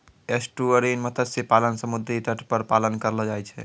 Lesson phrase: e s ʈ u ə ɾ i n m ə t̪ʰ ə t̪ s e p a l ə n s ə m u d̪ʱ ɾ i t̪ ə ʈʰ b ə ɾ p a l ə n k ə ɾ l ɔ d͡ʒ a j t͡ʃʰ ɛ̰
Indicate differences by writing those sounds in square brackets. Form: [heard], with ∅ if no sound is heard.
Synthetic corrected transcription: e s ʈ u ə ɾ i n m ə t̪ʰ ə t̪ s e p a l ə n s ə m u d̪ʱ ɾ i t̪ ə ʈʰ [p] ə ɾ p a l ə n k ə ɾ l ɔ d͡ʒ a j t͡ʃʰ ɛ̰